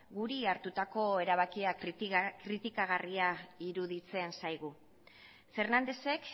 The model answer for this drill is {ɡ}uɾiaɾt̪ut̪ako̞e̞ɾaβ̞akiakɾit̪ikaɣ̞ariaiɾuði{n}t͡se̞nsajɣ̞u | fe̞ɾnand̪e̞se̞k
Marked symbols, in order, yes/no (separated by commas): yes, no